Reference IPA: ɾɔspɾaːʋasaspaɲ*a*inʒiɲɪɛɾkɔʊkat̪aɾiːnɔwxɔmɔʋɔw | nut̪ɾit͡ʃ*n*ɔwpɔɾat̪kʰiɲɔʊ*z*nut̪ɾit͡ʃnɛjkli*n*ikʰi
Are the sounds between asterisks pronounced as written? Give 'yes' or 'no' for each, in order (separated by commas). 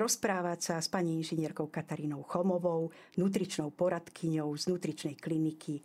no, yes, yes, yes